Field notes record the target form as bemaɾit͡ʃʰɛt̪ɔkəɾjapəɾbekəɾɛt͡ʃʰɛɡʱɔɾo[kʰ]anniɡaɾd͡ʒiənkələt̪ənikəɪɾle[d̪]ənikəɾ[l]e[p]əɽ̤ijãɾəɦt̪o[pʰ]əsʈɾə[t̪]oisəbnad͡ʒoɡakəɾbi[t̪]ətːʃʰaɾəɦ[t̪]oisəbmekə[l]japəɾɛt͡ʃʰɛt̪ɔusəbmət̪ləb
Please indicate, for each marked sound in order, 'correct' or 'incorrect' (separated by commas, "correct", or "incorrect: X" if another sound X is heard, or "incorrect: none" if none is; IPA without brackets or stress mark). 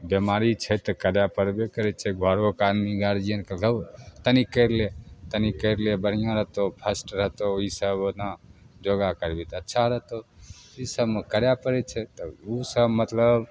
incorrect: k, incorrect: t̪, correct, incorrect: b, correct, correct, correct, correct, incorrect: ɾ